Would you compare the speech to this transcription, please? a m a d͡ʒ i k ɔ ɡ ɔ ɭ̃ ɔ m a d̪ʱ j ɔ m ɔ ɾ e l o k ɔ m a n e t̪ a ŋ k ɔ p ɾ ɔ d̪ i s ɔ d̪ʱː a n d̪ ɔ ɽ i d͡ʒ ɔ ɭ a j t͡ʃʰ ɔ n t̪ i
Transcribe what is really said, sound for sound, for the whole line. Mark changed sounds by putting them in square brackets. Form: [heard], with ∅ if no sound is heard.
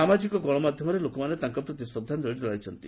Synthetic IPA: a m a d͡ʒ i k ɔ ɡ ɔ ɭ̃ ɔ m a d̪ʱ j ɔ m ɔ ɾ e l o k ɔ m a n e t̪ a ŋ k ɔ p ɾ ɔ [t̪] i s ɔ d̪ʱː a n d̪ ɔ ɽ i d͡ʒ ɔ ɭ a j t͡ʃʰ ɔ n t̪ i